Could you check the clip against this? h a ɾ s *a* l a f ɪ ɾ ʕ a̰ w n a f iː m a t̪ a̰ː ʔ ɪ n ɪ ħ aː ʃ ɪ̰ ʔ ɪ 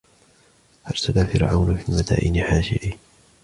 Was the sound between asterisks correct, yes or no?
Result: yes